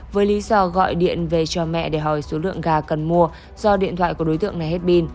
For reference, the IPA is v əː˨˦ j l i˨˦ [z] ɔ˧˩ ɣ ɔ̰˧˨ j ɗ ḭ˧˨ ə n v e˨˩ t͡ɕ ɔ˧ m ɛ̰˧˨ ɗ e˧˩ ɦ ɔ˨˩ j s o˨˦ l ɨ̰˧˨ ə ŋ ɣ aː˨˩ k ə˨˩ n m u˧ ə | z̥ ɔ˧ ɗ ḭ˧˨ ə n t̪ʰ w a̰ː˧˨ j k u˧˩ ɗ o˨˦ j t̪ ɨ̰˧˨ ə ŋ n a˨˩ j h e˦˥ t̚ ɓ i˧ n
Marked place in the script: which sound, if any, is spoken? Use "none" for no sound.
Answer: z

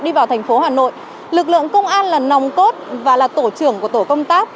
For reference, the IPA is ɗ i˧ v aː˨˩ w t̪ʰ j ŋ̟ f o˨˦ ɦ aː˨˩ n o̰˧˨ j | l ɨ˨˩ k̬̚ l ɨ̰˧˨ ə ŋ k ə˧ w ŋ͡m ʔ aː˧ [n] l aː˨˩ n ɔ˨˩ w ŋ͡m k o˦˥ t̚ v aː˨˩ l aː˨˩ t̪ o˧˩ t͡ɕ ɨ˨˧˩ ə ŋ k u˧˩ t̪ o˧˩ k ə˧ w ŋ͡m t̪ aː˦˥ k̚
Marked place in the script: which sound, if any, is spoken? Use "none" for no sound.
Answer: n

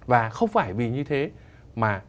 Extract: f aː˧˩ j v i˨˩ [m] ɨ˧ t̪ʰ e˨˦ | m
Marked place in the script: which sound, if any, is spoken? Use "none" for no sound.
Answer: ɲ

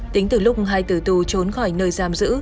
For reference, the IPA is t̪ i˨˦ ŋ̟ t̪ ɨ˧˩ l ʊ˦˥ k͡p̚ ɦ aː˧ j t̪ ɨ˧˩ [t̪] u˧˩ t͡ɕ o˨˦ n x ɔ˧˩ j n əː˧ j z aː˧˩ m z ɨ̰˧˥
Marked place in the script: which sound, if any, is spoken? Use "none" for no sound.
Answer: t̪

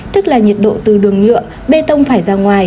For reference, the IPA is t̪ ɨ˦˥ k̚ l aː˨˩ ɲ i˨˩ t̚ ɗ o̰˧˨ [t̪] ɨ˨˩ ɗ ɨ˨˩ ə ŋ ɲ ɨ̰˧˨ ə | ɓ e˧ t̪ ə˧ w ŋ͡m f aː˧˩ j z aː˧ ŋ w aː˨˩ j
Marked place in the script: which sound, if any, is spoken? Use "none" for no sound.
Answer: t̪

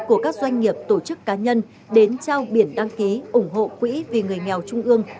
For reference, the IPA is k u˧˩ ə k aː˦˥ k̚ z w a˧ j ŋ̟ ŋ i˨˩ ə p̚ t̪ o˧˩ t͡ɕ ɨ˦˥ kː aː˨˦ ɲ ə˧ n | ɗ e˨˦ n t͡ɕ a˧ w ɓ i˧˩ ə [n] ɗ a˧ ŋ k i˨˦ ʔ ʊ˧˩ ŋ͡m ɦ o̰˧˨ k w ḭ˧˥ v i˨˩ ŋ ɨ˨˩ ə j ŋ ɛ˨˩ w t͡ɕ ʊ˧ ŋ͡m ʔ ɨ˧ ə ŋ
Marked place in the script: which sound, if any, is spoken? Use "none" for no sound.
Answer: n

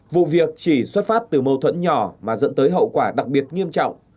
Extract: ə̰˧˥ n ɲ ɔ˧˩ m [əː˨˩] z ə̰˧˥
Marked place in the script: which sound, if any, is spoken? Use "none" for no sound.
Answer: aː˨˩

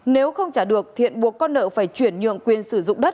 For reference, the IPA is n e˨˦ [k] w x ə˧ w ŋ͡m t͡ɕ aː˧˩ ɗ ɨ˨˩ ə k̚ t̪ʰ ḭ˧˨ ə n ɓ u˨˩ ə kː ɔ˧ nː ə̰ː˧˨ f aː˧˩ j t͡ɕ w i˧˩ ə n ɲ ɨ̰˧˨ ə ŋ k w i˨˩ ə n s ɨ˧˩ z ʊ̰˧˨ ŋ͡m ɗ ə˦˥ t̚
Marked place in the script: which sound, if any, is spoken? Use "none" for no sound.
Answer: none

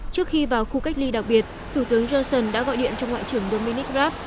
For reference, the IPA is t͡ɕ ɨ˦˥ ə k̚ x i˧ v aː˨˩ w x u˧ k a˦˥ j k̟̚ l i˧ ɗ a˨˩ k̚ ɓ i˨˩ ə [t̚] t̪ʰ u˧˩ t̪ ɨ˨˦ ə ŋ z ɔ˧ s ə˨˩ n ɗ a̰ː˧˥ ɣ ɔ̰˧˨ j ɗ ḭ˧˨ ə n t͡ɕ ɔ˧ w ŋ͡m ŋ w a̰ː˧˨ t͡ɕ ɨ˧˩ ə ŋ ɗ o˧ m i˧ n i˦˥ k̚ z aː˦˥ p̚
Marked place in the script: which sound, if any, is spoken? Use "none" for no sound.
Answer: t̚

